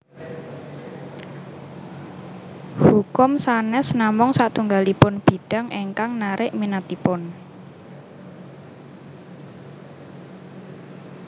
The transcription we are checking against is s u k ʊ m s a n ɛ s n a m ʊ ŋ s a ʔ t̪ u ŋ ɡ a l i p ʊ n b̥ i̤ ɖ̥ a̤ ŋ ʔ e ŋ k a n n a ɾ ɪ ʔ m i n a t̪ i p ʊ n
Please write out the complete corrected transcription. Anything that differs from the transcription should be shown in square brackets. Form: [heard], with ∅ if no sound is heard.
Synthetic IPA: [h] u k ʊ m s a n ɛ s n a m ʊ ŋ s a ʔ t̪ u ŋ ɡ a l i p ʊ n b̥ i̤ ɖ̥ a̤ ŋ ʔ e ŋ k a [ŋ] n a ɾ ɪ ʔ m i n a t̪ i p ʊ n